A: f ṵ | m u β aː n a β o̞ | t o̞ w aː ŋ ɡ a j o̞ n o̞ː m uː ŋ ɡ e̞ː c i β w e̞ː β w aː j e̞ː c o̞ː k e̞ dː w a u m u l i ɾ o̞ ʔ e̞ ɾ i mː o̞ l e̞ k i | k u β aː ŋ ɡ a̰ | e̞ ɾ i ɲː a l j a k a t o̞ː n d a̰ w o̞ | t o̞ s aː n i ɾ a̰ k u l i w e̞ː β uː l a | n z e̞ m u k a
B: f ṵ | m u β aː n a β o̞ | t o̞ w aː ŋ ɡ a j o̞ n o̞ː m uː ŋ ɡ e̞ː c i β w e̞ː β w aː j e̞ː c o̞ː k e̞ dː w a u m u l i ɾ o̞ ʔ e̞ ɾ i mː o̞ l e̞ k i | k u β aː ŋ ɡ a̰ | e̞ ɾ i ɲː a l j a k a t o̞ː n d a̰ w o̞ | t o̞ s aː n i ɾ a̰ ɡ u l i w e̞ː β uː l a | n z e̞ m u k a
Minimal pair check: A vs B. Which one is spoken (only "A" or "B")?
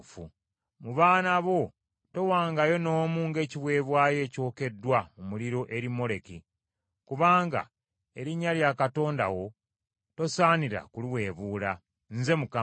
A